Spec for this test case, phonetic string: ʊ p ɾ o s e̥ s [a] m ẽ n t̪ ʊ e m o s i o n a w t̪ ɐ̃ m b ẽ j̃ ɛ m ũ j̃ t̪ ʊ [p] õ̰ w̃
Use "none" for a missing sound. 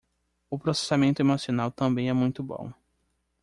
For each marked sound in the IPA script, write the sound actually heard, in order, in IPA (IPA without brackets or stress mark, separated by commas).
a, b